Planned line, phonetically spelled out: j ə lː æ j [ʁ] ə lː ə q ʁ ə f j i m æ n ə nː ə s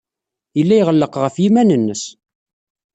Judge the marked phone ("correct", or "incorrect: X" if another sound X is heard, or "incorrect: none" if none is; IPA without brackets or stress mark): correct